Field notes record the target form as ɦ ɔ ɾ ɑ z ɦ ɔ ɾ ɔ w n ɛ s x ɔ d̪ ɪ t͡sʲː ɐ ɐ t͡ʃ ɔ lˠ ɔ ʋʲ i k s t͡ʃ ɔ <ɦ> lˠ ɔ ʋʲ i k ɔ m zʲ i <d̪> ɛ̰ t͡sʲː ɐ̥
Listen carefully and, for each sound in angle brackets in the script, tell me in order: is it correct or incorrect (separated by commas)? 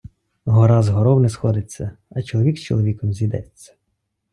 incorrect, correct